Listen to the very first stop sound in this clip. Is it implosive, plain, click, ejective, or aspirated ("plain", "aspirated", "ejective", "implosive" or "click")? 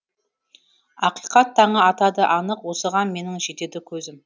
plain